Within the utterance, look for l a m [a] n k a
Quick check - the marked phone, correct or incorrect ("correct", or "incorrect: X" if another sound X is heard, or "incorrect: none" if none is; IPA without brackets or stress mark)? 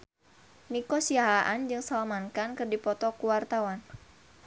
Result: correct